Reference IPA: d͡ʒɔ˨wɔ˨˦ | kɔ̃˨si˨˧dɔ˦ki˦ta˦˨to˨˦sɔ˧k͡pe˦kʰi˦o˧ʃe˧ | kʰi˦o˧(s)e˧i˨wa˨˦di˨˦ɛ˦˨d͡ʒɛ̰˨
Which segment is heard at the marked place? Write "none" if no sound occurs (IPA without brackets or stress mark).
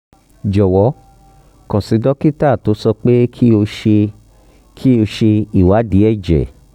ʃ